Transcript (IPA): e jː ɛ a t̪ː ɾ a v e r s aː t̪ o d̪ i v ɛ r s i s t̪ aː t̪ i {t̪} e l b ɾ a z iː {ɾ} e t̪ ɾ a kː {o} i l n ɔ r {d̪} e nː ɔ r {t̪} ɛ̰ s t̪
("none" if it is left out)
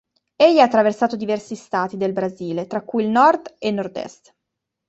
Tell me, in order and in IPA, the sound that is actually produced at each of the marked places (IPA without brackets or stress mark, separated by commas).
d̪, l, u, d̪, d̪